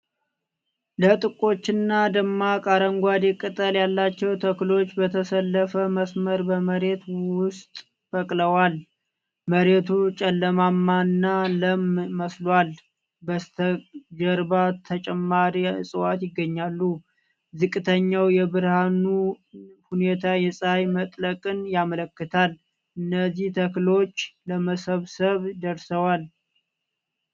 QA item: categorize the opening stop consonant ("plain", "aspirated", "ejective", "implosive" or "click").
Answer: ejective